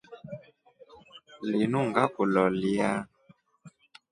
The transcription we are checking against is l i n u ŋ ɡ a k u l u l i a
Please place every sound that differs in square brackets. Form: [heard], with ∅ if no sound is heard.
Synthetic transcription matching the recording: l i n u ŋ ɡ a k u l [ɔ] l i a